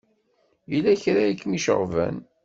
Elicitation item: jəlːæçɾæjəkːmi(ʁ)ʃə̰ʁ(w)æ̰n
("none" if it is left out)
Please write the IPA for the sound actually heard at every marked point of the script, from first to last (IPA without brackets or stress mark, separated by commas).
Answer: none, v